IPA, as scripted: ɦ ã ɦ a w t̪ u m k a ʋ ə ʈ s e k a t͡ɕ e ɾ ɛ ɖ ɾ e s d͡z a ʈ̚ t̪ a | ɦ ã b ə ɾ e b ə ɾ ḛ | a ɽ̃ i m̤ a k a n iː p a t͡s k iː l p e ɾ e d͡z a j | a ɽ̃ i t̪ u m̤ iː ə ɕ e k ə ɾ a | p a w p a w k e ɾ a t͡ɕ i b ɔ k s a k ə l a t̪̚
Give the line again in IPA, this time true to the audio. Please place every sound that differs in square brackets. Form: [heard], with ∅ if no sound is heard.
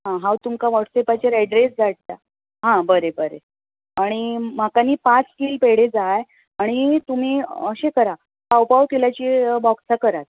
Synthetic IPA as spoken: ɦ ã ɦ a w t̪ u m k a ʋ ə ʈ s e [p] a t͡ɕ e ɾ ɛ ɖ ɾ e s d͡z a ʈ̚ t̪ a | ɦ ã b ə ɾ e b ə ɾ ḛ | a ɽ̃ i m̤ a k a n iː p a t͡s k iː l p e [ɽ] e d͡z a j | a ɽ̃ i t̪ u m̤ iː ə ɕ e k ə ɾ a | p a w p a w k e [l] a t͡ɕ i b ɔ k s a k ə [ɾ] a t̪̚